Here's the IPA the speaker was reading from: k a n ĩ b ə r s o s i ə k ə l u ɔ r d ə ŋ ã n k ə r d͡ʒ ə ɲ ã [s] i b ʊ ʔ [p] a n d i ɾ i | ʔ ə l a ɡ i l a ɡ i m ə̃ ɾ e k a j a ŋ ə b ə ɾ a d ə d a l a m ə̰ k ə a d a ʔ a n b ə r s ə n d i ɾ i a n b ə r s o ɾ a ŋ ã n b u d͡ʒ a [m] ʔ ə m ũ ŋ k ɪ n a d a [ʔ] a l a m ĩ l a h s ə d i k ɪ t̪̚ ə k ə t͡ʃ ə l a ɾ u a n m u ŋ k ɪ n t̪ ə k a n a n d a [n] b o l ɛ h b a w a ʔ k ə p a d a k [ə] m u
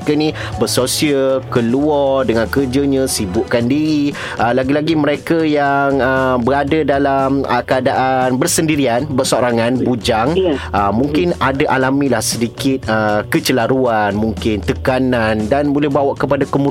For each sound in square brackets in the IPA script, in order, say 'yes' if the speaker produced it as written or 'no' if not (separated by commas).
yes, no, no, yes, yes, yes